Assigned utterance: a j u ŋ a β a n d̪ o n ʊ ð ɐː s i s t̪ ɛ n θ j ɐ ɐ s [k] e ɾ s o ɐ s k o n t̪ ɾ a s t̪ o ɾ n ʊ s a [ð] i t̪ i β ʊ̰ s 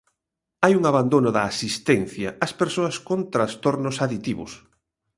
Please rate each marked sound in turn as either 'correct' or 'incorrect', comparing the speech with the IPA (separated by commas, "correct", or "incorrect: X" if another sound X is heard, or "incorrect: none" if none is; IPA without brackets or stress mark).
incorrect: p, correct